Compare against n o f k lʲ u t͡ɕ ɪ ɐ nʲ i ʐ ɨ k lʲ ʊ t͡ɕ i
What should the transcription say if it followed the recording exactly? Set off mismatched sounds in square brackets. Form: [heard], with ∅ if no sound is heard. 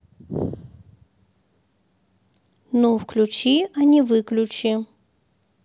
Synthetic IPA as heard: n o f k lʲ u t͡ɕ [i] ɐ nʲ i [v] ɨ k lʲ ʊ t͡ɕ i